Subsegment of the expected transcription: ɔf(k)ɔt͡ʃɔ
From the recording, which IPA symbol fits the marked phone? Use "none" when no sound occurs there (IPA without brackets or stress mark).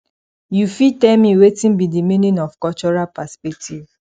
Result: k